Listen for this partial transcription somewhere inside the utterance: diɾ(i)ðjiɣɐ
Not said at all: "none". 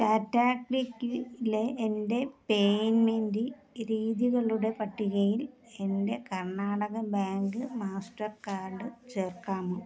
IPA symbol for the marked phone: iː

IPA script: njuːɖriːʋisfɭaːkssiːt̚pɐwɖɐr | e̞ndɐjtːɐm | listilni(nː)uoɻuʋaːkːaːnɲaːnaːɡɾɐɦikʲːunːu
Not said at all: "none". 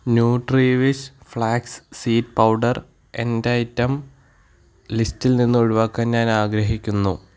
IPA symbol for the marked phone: nː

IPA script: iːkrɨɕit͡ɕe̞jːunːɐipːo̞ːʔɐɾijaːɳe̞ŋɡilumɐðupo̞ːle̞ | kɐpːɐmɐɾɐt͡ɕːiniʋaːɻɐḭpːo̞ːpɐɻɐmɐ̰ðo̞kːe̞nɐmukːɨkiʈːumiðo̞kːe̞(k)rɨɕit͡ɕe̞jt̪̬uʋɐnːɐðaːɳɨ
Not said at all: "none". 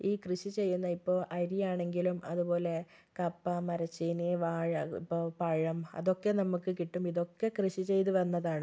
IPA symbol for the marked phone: k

